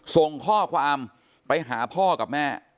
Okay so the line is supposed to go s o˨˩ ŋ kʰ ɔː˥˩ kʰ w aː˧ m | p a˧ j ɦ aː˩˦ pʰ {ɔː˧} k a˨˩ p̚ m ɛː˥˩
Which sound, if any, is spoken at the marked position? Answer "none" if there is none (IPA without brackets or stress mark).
ɔː˥˩